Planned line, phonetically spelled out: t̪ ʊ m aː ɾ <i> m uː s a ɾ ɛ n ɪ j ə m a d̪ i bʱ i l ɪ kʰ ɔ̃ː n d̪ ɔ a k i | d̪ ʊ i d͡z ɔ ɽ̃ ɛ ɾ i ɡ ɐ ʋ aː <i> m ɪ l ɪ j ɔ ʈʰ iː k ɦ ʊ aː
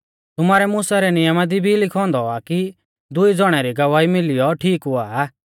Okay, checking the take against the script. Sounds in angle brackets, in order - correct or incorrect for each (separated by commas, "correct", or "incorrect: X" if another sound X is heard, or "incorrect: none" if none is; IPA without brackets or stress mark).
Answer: incorrect: ɛ, correct